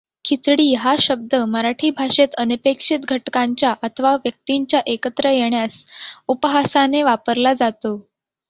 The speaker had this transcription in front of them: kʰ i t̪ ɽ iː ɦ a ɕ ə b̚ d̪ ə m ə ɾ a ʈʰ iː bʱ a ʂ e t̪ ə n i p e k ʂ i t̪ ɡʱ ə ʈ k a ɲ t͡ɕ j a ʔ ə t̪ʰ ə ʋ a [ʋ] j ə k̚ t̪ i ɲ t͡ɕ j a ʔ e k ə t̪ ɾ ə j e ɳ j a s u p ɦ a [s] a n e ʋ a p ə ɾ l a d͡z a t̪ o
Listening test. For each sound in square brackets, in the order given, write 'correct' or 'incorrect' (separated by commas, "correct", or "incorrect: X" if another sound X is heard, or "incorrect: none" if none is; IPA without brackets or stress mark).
correct, correct